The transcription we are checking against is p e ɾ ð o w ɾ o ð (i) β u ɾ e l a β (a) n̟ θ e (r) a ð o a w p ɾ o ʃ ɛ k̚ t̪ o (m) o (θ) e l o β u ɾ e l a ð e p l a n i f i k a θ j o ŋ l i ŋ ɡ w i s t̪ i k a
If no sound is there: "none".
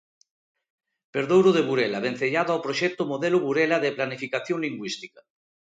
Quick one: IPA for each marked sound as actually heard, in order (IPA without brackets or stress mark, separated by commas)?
e, e, ʎ, m, ð